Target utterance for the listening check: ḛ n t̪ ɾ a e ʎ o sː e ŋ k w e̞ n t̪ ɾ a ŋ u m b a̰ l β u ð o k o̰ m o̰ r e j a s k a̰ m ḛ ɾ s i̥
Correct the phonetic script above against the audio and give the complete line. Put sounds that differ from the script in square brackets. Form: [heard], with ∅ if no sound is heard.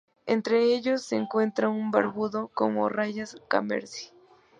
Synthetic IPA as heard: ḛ n t̪ ɾ [e] e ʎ o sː e ŋ k w e̞ n t̪ ɾ a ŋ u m b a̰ [ɾ] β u ð o k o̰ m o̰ r [a] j a s k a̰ m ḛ ɾ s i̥